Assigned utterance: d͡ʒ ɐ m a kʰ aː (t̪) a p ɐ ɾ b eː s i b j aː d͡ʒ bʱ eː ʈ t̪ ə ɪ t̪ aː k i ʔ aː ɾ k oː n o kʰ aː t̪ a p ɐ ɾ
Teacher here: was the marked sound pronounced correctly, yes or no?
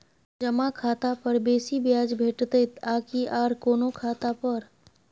yes